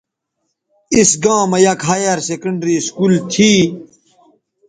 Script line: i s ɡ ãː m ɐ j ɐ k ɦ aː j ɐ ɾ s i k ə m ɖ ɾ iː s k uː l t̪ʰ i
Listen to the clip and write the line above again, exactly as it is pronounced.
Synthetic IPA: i s ɡ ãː m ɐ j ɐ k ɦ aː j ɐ ɾ s e k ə ɳ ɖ ɾ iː s k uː l t̪ʰ i